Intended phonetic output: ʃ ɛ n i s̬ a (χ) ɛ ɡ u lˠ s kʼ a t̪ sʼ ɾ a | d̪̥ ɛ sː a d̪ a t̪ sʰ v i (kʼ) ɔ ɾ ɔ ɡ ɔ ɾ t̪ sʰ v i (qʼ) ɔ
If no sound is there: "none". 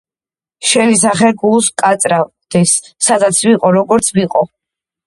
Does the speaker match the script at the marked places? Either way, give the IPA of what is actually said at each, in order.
χ, qʼ, qʼ

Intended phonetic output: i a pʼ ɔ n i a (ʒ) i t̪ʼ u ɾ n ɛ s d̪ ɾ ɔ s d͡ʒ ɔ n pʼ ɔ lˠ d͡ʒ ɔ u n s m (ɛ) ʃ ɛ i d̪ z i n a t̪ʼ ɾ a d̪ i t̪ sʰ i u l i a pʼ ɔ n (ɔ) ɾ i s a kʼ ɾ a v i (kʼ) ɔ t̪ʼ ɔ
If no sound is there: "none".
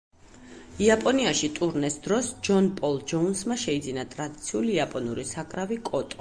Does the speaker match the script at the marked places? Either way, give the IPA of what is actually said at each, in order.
ʃ, a, u, kʼ

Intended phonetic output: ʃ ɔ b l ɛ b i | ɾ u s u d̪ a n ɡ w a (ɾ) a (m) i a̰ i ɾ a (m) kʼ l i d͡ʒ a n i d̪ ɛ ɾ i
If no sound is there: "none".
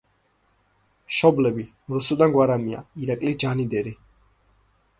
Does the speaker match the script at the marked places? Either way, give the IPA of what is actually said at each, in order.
ɾ, m, none

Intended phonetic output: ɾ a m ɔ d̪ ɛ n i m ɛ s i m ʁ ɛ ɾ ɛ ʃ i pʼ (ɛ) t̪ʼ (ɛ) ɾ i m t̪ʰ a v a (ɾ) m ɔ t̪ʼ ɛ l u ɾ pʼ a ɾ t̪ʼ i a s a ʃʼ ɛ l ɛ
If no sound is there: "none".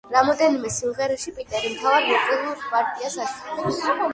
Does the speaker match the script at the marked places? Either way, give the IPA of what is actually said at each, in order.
i, ɛ, ɾ

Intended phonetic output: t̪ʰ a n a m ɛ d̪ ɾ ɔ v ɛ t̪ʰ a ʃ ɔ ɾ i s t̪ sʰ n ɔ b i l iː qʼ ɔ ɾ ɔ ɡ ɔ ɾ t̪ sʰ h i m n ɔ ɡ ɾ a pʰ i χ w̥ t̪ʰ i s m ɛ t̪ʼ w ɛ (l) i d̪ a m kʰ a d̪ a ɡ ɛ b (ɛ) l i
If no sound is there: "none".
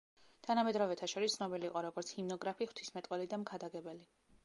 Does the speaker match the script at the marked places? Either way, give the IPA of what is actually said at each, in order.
l, ɛ

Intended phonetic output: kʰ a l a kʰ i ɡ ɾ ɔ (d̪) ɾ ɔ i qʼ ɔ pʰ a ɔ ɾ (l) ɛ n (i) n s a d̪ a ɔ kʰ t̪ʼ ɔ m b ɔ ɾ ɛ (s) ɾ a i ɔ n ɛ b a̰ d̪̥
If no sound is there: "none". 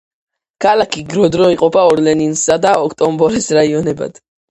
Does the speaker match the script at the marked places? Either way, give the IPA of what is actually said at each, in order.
d̪, l, i, s

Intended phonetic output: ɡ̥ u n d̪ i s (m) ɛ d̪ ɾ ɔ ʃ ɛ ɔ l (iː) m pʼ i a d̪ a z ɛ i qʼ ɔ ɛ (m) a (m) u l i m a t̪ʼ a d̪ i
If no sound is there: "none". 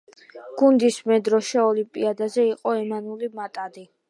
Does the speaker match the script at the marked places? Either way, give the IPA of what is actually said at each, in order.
m, i, m, n

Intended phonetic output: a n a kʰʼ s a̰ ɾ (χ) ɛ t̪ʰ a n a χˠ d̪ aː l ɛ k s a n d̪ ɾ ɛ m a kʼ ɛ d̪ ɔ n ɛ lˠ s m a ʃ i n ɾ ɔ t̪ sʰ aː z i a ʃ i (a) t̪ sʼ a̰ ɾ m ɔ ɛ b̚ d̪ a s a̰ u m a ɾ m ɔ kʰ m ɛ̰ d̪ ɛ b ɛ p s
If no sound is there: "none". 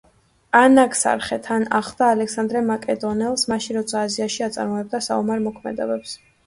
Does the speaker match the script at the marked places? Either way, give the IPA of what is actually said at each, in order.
χ, a

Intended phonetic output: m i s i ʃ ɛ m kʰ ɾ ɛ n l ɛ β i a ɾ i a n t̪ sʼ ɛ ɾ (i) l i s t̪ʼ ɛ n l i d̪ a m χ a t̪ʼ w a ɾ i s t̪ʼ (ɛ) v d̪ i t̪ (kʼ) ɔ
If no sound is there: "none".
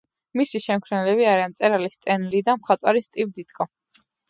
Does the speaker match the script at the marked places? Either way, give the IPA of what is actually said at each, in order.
a, i, kʼ

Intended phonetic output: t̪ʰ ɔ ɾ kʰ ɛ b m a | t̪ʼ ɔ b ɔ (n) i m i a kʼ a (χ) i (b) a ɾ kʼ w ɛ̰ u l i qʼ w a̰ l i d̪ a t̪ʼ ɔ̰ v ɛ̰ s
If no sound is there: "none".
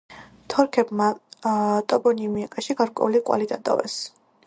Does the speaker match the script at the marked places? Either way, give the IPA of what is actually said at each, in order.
n, ʃ, ɡ

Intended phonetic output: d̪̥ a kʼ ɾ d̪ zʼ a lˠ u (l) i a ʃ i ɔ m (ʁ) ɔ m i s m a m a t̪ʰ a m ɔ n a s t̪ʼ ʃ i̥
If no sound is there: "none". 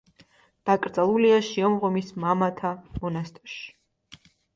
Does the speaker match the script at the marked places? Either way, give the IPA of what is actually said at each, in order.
l, ʁ

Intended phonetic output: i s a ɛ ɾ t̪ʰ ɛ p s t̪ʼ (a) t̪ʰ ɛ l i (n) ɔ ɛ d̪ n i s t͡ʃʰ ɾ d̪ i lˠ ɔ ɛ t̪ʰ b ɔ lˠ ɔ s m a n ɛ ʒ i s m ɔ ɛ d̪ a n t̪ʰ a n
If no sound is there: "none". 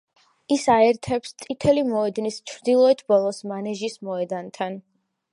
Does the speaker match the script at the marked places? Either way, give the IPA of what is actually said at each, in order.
i, m

